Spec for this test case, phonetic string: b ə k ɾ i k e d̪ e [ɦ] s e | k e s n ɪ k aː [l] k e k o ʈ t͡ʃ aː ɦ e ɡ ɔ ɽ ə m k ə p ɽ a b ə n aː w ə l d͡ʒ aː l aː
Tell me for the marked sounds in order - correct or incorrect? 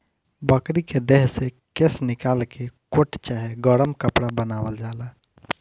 correct, correct

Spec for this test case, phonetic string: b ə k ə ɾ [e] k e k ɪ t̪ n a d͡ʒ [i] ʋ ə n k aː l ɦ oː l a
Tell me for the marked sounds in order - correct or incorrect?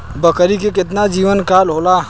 incorrect, incorrect

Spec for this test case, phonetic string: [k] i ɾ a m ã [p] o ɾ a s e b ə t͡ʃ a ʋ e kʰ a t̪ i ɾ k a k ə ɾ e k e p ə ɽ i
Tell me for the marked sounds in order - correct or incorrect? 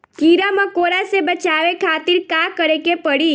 correct, incorrect

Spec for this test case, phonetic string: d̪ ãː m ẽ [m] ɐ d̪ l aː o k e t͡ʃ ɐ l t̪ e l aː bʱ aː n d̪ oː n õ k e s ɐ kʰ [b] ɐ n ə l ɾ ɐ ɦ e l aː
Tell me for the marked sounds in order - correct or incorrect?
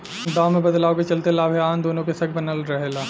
incorrect, correct

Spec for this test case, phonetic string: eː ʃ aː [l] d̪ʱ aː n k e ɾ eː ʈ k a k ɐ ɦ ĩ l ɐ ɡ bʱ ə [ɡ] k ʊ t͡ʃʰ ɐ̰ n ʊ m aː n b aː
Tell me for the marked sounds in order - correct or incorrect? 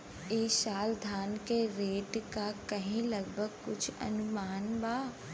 correct, correct

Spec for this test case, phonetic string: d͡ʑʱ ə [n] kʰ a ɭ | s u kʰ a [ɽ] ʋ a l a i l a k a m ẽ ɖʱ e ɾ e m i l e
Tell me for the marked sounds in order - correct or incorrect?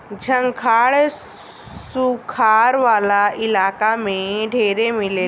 incorrect, incorrect

